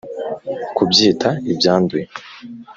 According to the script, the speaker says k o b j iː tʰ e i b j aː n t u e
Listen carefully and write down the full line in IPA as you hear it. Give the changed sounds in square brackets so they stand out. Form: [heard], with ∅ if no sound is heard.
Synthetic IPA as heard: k [u] b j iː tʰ [a] i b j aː n [d] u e